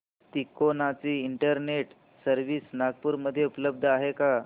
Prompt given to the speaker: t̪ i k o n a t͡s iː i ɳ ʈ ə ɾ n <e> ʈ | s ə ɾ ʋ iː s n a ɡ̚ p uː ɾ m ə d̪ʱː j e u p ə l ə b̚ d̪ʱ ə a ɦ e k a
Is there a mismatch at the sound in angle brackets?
no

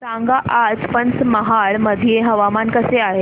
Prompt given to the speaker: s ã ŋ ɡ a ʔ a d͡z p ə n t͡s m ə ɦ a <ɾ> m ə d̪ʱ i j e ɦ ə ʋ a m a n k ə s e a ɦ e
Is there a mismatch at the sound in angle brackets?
yes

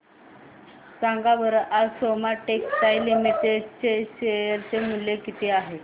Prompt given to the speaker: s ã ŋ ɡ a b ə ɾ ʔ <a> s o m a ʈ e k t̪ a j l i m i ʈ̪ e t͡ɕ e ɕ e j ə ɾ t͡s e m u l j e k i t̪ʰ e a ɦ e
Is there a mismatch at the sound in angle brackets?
no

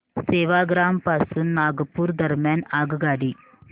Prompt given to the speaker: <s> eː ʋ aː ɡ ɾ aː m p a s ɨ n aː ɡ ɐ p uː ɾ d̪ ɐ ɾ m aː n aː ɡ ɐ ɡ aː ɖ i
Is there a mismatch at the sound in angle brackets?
no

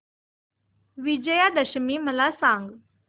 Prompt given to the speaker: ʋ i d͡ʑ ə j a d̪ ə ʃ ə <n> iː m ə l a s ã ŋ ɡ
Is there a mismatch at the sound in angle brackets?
yes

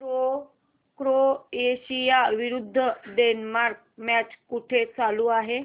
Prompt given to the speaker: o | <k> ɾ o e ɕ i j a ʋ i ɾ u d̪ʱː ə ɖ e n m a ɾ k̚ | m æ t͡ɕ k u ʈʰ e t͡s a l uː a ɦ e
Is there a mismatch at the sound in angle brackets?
no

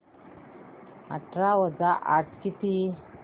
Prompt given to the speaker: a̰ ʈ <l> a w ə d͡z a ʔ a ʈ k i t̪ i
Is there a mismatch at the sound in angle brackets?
yes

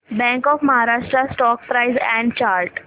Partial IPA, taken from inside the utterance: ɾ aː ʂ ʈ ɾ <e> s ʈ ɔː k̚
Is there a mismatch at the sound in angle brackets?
yes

